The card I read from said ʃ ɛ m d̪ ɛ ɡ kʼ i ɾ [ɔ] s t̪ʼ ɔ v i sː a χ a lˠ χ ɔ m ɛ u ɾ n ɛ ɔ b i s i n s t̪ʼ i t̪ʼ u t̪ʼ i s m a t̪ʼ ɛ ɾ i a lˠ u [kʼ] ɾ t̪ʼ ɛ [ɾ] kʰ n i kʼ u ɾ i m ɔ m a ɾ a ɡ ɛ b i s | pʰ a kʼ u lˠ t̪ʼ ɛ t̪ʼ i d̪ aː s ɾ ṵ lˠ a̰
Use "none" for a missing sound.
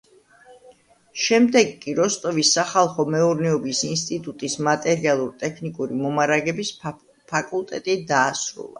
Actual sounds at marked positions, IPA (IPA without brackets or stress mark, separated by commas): ɔ, none, none